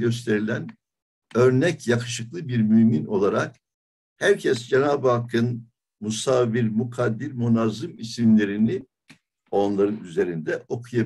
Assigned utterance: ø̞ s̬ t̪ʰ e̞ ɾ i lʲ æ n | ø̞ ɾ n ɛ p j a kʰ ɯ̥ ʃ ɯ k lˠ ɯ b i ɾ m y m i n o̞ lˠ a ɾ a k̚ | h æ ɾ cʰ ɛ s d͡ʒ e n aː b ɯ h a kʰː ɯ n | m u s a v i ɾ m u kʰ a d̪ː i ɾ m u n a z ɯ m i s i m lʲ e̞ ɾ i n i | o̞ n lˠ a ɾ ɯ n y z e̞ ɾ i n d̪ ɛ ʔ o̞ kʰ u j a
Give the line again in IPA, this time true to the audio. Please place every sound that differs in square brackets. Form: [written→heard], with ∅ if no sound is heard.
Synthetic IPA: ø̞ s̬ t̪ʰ e̞ ɾ i lʲ æ n | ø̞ ɾ n ɛ [p→c] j a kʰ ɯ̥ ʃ ɯ k lˠ ɯ b i ɾ m y m i n o̞ lˠ a ɾ a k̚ | h æ ɾ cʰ ɛ s d͡ʒ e n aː b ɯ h a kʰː ɯ n | m u s a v i ɾ m u kʰ a d̪ː i ɾ m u n a z ɯ m i s i m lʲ e̞ ɾ i n i | o̞ n lˠ a ɾ ɯ n y z e̞ ɾ i n d̪ ɛ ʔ o̞ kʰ u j a